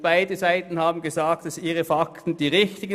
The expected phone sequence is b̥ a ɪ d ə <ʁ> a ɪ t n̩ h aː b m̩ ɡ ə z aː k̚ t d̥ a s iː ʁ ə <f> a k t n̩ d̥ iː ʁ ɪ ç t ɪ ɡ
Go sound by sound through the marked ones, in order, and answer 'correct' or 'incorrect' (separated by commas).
incorrect, correct